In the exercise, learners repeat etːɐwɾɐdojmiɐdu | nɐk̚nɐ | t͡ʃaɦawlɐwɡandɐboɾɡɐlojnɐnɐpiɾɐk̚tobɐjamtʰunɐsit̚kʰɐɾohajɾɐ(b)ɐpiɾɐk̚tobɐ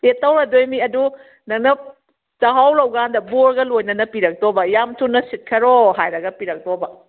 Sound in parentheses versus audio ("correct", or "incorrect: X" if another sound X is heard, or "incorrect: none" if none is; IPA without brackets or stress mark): incorrect: ɡ